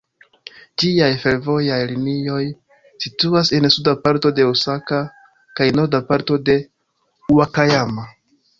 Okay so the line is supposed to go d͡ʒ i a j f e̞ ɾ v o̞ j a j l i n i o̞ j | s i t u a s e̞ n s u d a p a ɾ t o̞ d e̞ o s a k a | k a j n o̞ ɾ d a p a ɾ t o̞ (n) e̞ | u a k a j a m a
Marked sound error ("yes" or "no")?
yes